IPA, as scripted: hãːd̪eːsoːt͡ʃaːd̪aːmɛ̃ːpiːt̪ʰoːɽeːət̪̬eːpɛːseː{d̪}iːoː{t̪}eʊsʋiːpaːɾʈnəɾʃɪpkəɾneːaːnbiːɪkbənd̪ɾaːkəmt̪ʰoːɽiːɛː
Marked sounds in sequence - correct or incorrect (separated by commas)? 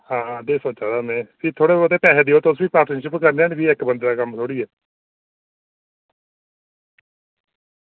correct, correct